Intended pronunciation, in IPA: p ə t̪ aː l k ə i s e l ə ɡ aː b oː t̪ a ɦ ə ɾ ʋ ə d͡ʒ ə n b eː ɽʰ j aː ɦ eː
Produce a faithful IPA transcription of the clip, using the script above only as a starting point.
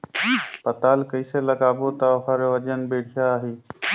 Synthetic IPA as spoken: p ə t̪ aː l k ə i s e l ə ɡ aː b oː t̪ a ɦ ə ɾ ʋ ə d͡ʒ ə n b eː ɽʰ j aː ɦ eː